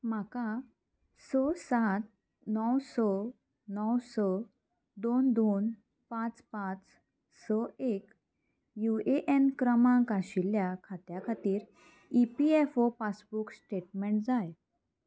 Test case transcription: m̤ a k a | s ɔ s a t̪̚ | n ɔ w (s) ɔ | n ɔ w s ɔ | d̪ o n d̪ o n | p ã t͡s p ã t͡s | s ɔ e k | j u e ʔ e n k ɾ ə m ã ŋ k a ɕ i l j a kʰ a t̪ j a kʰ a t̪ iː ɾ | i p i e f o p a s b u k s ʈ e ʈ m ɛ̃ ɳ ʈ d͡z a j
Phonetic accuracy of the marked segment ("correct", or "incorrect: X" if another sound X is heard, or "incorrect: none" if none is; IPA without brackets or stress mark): correct